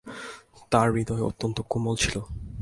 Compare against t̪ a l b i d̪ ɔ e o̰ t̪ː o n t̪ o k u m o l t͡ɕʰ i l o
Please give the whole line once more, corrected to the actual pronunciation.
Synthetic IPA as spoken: t̪ a ɾ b i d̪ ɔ e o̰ t̪ː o n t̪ o k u m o l t͡ɕʰ i l o